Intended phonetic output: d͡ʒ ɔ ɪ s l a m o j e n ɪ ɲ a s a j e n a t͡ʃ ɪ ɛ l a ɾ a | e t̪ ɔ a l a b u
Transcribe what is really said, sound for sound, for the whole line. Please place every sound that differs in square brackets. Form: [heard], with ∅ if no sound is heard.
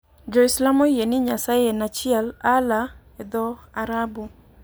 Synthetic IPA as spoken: d͡ʒ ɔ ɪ s l a m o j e n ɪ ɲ a s a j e n a t͡ʃ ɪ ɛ l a [l] a | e [d̪] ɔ a [ɾ] a b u